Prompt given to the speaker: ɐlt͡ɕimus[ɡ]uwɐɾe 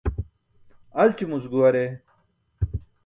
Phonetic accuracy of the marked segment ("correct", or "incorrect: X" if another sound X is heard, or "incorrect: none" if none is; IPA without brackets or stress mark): correct